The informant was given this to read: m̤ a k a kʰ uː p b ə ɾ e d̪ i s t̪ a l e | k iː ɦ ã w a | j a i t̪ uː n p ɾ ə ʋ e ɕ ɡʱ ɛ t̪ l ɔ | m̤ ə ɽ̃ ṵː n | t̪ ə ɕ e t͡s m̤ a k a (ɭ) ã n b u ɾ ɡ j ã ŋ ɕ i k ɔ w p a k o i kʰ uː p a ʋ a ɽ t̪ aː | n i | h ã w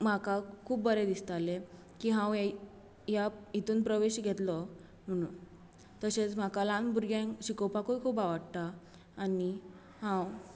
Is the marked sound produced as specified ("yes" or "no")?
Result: no